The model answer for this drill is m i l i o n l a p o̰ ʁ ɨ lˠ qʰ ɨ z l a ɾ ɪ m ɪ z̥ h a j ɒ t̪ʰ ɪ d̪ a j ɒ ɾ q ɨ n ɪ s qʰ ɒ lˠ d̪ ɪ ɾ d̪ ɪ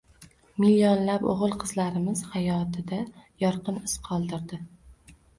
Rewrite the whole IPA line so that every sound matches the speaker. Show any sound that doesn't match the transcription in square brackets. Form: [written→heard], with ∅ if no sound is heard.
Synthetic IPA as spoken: m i l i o n l a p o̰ ʁ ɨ lˠ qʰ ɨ z l a ɾ ɪ m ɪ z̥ h a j ɒ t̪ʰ ɪ d̪ a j ɒ ɾ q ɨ n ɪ s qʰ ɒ lˠ d̪ ɪ ɾ d̪ ɪ